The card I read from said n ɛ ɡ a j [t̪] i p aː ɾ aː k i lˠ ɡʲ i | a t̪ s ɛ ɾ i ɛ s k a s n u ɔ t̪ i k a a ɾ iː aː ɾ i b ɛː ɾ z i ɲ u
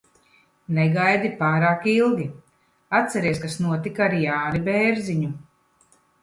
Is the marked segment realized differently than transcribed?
yes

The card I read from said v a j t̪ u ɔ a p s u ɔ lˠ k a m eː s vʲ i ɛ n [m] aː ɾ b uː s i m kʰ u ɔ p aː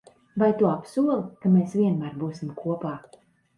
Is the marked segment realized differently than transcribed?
no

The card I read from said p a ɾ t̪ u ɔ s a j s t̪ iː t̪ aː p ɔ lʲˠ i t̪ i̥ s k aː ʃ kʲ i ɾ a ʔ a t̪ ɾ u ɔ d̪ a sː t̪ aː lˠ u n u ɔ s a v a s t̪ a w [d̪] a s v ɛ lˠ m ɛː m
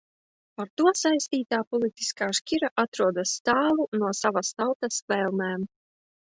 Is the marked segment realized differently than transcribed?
yes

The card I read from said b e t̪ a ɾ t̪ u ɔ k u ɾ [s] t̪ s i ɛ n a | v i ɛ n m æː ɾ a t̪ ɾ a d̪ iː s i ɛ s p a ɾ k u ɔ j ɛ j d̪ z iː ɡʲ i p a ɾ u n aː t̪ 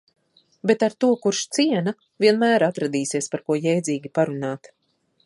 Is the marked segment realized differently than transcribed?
yes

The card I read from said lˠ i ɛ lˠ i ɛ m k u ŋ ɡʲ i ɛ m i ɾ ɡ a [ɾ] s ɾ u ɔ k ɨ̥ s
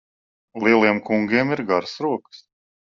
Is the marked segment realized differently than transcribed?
no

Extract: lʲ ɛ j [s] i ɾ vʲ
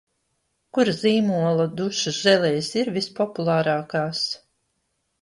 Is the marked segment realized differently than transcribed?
no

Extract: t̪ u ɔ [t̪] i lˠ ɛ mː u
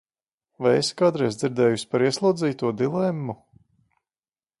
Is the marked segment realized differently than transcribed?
yes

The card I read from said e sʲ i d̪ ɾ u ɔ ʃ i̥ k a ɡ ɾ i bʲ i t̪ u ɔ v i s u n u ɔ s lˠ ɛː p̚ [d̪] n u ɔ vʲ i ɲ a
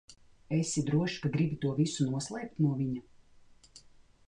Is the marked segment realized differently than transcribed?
yes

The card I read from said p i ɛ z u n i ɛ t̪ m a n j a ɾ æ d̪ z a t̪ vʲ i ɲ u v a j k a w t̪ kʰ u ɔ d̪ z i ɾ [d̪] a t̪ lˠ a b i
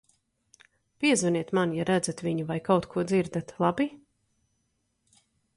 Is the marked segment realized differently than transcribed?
no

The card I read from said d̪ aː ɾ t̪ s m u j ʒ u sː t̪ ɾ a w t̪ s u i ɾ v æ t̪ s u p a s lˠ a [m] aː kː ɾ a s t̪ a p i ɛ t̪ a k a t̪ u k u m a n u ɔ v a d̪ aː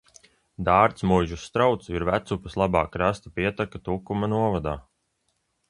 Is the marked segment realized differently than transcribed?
yes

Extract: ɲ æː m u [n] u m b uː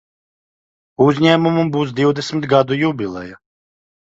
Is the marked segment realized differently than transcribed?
yes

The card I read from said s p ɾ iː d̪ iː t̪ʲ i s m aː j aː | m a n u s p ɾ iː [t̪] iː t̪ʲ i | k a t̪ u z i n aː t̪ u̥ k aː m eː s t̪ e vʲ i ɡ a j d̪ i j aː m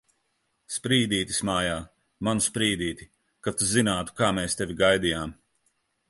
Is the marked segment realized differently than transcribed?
yes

